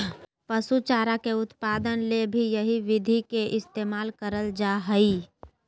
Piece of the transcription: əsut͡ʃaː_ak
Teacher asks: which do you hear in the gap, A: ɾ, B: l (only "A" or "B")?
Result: A